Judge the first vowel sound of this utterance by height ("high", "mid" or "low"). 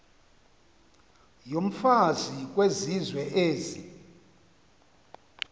mid